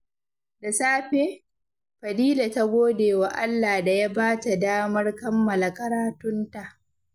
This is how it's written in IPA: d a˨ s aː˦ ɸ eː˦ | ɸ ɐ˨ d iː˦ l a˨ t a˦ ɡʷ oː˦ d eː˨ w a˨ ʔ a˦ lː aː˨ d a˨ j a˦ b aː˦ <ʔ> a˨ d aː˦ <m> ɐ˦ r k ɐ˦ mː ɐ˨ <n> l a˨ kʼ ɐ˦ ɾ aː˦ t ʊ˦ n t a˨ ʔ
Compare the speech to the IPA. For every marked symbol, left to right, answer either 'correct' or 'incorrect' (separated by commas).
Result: incorrect, correct, incorrect